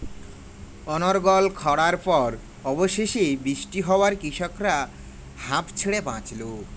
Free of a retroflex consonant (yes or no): no